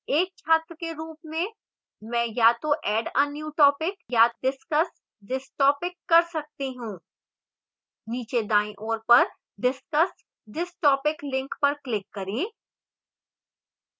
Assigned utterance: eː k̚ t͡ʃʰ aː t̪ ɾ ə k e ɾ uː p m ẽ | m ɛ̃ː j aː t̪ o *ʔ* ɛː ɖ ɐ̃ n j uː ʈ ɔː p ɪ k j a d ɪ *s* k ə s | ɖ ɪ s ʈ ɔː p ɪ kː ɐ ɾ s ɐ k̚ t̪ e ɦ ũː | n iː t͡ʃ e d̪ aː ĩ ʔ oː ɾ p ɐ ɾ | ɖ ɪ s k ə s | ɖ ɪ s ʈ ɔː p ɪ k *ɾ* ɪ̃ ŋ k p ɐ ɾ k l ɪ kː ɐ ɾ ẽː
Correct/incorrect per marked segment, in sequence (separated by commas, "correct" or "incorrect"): correct, correct, incorrect